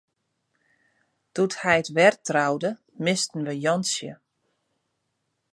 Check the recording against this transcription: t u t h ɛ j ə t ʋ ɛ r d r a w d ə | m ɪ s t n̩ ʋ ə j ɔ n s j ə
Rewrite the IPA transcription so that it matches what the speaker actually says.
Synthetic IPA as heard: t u t h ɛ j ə t ʋ ɛ r t r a w d ə | m ɪ s t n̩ ʋ ə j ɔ n s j ə

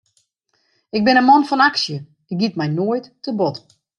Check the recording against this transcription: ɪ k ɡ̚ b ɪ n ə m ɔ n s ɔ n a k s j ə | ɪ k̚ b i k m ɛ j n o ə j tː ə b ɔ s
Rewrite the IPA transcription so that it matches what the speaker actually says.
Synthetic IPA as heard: ɪ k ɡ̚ b ɪ n ə m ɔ n f ɔ n a k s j ə | ɪ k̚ ɡ i t m ɛ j n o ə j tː ə b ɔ t

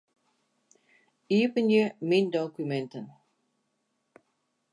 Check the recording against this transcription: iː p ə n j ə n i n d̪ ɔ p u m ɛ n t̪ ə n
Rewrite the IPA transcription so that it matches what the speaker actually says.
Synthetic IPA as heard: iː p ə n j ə m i n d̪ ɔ k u m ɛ n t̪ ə n

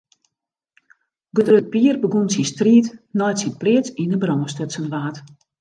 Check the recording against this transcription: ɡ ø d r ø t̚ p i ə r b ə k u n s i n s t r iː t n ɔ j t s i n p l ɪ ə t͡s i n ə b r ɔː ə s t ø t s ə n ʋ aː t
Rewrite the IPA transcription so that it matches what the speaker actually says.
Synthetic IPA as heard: ɡ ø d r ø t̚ p i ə r b ə ɡ u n s i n s t r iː t n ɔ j t s i n p l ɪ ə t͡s i n ə b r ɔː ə s t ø t s ə n ʋ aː t

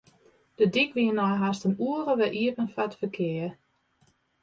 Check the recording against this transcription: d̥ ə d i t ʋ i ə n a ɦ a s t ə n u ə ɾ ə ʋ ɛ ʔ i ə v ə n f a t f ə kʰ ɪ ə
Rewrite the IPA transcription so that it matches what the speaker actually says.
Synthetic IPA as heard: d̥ ə d i k ʋ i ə n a ɦ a s t ə n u ə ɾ ə ʋ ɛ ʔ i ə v ə n f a t f ə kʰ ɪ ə

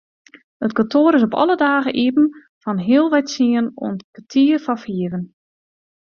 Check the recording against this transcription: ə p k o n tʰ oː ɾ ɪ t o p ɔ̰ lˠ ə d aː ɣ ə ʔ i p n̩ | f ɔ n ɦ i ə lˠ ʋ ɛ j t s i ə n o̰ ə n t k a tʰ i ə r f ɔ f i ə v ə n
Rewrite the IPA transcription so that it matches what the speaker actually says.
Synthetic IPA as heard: ə t k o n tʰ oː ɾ ɪ s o p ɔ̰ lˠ ə d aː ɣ ə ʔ i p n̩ | f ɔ n ɦ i ə lˠ ʋ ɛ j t s i ə n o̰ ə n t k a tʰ i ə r f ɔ f i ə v ə n

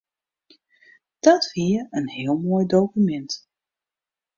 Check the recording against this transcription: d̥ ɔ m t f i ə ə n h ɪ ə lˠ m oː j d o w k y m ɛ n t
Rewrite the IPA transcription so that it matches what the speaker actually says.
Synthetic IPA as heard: d̥ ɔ t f i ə ə n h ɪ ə lˠ m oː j d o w k y m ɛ n t

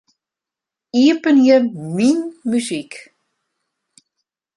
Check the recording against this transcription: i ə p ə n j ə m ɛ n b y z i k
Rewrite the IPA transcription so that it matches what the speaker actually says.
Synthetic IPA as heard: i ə p ə n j ə m i n m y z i k

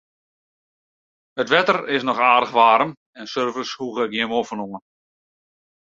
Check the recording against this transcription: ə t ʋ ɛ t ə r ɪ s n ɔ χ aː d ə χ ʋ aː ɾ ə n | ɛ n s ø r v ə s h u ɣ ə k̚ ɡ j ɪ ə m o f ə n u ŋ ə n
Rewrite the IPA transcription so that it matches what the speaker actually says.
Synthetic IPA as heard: ə t ʋ ɛ t ə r ɪ s n ɔ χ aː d ə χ ʋ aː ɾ ə m | ɛ n s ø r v ə s h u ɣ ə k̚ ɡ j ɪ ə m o f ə n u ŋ ə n

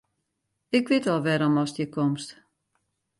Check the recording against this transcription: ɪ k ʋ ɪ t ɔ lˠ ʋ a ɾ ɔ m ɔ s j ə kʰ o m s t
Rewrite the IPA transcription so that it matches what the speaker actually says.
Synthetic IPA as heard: ɪ k ʋ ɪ t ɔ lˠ ʋ ɛ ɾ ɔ m ɔ s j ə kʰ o m s t

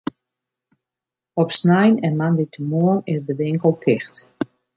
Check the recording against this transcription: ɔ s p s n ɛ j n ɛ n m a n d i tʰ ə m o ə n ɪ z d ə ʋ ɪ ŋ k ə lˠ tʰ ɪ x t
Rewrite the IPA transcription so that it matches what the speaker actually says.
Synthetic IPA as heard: ɔ p s n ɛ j n ɛ n m a n d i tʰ ə m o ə n ɪ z d ə ʋ ɪ ŋ k ə lˠ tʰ ɪ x t

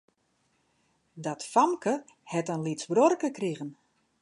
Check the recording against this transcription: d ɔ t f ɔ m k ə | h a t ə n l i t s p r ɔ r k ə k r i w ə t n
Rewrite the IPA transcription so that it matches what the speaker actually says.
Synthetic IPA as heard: d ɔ t f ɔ m k ə | h ɛ t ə n l i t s b r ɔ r k ə k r i ɣ ə n

